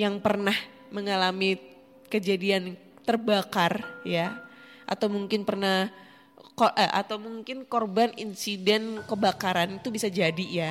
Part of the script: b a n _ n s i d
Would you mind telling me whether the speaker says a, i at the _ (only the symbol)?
i